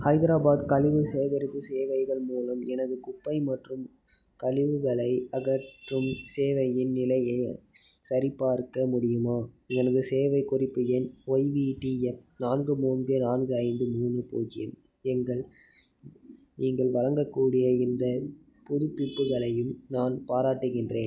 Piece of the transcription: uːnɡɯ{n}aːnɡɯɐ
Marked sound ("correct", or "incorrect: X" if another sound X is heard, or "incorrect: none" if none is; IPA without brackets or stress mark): correct